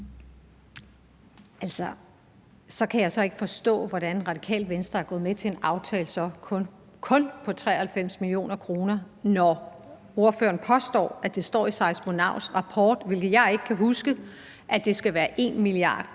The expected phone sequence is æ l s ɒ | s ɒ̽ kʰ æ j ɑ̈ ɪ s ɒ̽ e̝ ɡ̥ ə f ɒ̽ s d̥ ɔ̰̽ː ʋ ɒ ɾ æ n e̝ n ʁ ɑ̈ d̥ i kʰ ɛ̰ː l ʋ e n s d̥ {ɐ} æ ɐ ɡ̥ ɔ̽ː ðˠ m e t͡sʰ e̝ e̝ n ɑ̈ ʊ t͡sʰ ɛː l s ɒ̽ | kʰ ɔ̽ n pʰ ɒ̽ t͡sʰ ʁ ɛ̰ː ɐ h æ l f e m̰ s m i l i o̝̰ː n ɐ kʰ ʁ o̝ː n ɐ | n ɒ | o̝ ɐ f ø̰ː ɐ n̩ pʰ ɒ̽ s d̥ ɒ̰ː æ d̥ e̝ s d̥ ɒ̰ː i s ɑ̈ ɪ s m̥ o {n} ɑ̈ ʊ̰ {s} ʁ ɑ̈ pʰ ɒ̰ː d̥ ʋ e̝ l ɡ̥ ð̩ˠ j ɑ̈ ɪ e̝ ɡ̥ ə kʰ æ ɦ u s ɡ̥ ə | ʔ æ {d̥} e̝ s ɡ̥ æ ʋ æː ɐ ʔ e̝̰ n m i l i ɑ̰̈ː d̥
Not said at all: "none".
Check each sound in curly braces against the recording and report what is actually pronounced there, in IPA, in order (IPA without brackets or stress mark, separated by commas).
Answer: ɐ, n, s, d̥